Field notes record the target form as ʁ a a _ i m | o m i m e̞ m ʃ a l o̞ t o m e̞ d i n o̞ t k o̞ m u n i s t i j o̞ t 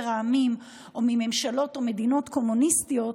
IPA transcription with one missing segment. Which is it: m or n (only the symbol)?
m